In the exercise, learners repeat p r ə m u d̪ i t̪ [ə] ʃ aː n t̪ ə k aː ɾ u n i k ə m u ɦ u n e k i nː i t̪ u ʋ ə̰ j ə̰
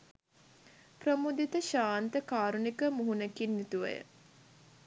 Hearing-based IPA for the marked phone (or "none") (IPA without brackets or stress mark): ə